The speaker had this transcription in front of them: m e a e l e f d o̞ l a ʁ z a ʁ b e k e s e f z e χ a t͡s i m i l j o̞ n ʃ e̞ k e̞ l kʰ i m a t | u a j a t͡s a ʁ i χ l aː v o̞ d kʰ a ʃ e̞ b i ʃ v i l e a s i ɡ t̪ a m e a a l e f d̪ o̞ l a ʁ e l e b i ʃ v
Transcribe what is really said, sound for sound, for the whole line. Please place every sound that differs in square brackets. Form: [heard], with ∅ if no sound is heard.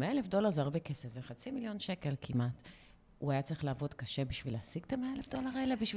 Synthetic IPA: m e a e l e f d o̞ l a ʁ z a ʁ b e k e s e f z e χ a t͡s i m i l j o̞ n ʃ e̞ k e̞ l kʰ i m a t | u a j a t͡s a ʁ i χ l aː v o̞ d [k] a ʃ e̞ b i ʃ v i l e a s i ɡ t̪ a m e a [e] l e f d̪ o̞ l a ʁ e l e b i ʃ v